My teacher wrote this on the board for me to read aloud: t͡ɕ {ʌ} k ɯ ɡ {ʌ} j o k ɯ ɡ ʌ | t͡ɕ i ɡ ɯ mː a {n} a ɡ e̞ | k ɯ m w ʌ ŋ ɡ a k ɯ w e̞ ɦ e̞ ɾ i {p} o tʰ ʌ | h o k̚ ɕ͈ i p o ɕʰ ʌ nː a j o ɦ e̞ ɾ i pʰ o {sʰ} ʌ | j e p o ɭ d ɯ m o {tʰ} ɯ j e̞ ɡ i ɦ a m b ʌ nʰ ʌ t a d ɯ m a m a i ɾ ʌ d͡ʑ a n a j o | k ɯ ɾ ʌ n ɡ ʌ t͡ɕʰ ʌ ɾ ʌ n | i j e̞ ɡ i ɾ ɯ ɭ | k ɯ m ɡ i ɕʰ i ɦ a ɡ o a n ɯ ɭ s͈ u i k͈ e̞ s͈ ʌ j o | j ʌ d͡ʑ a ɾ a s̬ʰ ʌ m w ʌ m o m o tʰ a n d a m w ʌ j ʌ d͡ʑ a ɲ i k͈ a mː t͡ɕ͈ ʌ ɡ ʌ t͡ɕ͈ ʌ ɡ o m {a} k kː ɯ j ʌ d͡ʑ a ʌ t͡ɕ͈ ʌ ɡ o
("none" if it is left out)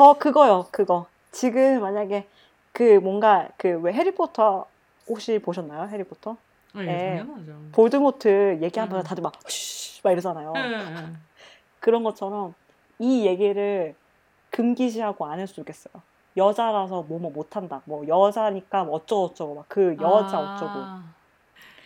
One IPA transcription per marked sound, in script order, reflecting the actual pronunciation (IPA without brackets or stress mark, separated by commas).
ʌ, ʌ, ɲ, pʰ, tʰ, tʰ, a